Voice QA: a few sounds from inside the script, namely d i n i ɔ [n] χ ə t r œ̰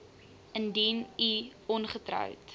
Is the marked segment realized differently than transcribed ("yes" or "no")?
no